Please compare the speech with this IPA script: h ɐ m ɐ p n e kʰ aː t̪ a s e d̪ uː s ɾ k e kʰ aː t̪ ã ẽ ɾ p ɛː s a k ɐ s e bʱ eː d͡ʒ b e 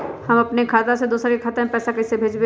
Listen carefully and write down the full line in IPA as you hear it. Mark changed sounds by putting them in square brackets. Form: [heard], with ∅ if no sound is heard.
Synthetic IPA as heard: h ɐ m ɐ p n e kʰ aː t̪ a s e d̪ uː s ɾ k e kʰ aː t̪ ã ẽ [∅] p ɛː s a k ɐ s e bʱ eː d͡ʒ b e